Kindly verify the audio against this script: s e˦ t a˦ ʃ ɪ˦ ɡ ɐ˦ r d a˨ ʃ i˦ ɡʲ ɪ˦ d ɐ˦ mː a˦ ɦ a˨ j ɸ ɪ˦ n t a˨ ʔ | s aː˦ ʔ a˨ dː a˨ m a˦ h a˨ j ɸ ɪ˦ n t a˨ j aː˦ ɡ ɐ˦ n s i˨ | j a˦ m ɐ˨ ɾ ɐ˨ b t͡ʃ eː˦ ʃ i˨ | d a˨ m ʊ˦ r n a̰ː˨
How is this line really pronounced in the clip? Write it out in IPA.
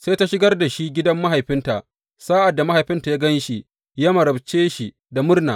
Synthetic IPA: s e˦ t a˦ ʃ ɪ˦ ɡ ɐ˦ r d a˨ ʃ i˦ ɡʲ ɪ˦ d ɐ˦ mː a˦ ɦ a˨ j ɸ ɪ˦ n t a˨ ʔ | s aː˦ ʔ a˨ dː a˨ m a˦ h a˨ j ɸ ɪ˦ n t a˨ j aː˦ ɡ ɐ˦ n ʃ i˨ | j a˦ m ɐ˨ ɾ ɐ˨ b t͡ʃ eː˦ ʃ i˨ | d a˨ m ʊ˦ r n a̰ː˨